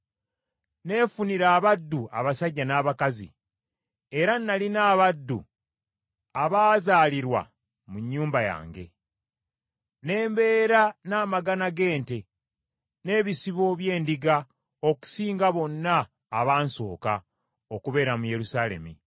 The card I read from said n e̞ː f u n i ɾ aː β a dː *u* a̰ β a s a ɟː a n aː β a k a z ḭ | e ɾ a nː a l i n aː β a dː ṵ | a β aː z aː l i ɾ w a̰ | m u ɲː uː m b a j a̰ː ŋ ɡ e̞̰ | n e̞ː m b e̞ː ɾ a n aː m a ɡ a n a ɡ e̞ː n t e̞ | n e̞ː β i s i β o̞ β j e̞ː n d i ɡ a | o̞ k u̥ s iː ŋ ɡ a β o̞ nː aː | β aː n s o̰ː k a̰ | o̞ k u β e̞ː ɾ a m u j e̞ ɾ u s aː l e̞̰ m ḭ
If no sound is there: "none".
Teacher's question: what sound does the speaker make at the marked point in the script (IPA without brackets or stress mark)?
u